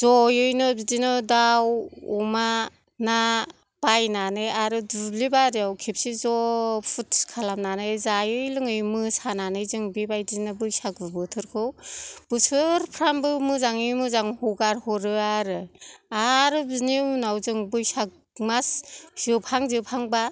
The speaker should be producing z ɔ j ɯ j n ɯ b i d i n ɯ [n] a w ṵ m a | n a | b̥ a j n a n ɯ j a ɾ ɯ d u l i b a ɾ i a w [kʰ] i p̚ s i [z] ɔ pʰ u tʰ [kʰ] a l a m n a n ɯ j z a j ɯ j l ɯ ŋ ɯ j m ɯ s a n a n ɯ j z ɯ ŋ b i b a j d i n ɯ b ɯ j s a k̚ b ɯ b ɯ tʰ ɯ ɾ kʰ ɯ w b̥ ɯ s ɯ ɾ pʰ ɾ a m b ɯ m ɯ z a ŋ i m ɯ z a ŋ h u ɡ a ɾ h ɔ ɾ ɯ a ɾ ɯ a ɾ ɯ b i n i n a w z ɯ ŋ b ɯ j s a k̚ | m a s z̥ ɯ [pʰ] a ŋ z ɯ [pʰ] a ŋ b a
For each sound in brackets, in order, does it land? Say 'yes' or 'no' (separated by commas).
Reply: no, yes, yes, yes, yes, yes